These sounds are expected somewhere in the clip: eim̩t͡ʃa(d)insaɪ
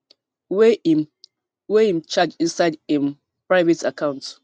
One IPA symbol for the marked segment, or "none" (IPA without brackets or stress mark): d͡ʒ